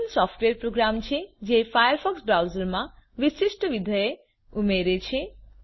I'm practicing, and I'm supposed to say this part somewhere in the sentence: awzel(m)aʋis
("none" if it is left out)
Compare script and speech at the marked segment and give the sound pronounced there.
m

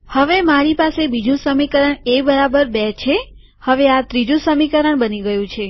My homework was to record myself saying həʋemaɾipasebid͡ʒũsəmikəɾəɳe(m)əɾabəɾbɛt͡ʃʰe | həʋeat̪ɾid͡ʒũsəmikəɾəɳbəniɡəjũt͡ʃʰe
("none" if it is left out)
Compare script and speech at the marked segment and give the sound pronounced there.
b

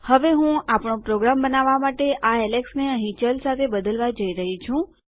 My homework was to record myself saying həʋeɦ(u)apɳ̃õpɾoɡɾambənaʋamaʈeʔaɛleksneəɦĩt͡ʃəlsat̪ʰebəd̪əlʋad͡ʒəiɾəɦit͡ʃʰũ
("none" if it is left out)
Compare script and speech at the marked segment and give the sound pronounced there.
ũ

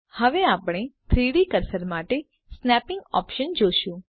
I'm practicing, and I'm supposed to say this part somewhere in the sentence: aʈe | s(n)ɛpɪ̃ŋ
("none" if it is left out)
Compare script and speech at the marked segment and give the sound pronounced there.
n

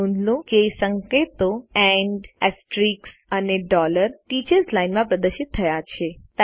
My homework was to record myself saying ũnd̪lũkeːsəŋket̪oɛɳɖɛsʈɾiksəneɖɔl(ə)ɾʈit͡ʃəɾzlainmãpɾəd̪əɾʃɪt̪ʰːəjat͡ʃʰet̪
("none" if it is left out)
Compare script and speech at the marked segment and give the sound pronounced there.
ə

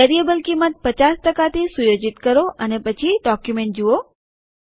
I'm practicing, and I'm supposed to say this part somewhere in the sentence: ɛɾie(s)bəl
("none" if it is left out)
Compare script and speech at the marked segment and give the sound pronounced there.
none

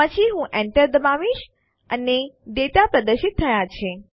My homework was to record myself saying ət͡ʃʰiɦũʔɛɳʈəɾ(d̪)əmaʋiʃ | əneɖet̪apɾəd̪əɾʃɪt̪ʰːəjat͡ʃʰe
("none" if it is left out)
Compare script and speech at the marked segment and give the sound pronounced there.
d̪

